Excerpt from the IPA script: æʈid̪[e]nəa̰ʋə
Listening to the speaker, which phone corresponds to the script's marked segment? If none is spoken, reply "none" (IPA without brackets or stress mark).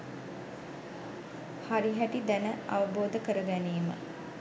æ